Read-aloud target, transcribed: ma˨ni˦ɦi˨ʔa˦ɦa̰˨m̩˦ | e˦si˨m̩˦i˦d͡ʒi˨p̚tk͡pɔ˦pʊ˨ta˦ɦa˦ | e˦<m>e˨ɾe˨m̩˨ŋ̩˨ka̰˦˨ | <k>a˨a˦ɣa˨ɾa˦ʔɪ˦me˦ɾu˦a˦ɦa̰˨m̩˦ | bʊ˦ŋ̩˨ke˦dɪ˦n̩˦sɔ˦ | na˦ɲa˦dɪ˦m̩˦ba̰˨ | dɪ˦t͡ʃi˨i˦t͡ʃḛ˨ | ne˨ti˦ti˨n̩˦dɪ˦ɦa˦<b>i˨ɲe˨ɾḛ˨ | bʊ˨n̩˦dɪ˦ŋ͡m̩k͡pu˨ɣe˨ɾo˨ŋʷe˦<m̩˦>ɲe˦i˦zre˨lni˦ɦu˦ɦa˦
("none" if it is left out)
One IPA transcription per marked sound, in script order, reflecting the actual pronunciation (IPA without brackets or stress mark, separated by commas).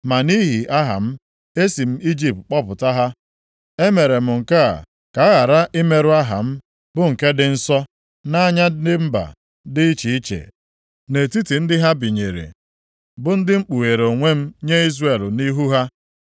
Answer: m, k, b, m̩˦